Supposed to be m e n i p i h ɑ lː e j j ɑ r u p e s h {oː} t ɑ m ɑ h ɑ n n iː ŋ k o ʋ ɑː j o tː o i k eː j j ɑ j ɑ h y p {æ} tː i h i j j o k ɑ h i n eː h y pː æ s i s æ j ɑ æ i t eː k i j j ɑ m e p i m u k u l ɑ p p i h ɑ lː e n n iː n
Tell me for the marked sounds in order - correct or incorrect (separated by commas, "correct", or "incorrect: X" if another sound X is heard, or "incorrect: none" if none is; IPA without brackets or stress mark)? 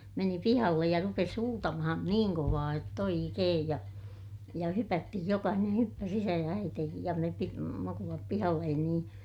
incorrect: uː, correct